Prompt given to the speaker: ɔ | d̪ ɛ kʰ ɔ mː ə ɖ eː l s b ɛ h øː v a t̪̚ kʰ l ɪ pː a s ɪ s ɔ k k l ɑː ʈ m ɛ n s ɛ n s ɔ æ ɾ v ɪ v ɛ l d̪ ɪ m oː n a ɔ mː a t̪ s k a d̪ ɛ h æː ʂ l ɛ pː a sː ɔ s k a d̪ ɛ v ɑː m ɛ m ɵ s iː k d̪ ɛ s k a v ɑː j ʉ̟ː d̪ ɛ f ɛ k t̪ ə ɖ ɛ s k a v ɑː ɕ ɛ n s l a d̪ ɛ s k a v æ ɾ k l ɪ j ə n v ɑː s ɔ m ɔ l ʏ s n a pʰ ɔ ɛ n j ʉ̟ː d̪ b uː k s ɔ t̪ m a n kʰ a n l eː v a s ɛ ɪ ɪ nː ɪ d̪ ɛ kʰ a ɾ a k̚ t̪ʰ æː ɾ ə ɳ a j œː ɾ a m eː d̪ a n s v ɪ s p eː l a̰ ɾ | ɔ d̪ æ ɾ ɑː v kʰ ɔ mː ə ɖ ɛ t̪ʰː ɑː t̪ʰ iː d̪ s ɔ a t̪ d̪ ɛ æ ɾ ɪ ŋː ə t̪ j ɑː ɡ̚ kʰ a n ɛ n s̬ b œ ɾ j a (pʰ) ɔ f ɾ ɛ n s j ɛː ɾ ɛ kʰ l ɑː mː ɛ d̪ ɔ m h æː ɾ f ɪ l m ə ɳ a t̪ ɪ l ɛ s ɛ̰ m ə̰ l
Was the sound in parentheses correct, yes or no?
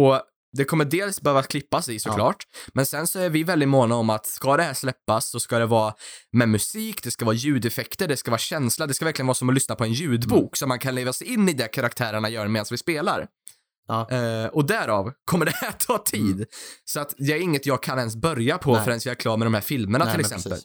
yes